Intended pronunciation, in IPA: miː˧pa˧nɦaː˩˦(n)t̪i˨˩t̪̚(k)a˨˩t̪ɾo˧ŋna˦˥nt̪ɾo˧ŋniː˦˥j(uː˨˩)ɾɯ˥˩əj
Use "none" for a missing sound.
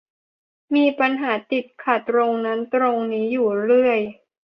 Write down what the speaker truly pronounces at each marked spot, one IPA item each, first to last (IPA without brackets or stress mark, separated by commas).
none, kʰ, uː˨˩